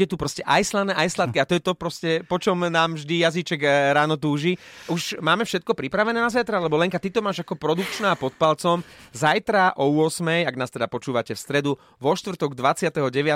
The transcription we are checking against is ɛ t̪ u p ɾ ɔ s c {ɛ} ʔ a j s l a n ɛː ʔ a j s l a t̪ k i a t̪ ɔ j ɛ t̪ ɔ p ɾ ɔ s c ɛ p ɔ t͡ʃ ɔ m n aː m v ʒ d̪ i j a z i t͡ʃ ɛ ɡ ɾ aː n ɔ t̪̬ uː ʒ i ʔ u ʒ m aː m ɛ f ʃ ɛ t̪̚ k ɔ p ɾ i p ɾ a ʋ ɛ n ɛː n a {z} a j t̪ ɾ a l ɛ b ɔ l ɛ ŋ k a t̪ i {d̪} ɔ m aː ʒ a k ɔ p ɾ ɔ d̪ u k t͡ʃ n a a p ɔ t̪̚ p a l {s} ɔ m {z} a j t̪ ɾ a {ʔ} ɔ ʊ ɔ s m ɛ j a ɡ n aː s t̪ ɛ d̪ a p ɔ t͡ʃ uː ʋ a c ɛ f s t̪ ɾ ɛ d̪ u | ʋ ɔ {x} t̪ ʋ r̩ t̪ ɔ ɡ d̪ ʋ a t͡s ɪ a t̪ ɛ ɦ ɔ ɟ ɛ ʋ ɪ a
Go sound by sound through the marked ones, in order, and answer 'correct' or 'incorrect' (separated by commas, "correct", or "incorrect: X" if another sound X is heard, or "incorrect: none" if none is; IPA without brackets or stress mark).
correct, correct, incorrect: t̪, incorrect: t͡s, correct, correct, incorrect: ʃ